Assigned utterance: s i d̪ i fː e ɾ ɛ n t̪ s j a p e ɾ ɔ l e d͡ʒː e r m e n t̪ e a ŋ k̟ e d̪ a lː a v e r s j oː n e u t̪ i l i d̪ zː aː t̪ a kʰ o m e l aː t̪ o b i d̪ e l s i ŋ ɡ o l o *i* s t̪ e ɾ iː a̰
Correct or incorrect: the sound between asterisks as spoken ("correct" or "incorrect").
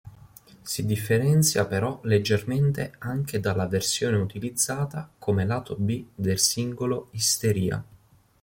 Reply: correct